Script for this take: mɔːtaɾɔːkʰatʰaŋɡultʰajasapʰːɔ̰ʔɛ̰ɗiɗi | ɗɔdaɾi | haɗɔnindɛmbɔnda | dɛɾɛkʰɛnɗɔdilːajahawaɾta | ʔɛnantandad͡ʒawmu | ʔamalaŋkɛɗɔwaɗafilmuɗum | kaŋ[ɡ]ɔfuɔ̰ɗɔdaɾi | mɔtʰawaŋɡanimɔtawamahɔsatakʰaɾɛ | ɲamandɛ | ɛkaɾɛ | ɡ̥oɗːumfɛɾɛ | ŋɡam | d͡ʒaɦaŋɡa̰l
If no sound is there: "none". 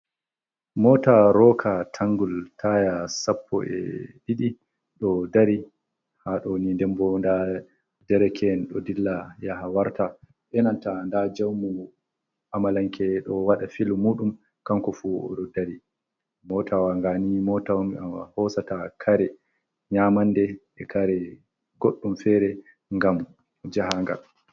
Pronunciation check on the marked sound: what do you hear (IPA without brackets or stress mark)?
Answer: k